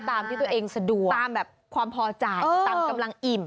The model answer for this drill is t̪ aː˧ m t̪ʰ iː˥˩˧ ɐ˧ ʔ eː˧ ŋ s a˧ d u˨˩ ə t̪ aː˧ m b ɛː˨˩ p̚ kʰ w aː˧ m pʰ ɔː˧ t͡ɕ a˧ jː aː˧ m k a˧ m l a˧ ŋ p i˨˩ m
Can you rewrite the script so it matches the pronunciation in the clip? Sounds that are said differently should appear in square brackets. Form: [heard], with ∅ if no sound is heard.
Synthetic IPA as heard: t̪ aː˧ m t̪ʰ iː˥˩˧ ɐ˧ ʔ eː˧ ŋ s a˧ d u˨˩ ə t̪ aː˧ m b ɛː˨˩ p̚ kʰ w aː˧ m pʰ ɔː˧ t͡ɕ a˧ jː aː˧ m k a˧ m l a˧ ŋ [ʔ] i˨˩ m